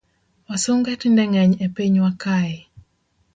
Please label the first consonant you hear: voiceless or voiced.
voiced